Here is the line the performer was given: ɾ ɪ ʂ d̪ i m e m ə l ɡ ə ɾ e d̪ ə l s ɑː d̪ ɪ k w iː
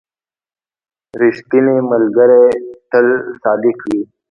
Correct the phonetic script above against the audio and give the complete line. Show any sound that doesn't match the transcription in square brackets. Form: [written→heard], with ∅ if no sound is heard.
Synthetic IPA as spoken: ɾ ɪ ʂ [d̪→t̪] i [m→n] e m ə l ɡ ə ɾ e [d̪→t̪] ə l s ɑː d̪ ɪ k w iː